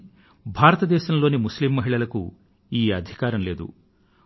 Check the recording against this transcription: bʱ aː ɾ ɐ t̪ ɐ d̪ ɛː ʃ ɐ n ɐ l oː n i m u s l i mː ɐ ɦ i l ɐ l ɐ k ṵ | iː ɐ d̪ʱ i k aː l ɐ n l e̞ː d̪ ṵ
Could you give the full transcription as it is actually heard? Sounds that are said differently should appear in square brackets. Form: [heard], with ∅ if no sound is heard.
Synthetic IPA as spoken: bʱ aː ɾ ɐ t̪ ɐ d̪ ɛː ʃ ɐ n ɐ l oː n i m u s l i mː ɐ ɦ i [ɭ] ɐ l ɐ k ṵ | iː ɐ d̪ʱ i k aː [ɾ] ɐ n l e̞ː d̪ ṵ